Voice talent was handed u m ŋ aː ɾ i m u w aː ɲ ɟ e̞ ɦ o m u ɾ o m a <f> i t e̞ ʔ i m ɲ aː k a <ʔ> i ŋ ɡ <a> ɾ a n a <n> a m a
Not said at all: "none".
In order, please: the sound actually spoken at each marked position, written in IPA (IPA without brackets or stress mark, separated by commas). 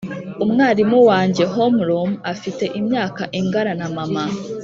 f, ʔ, a, m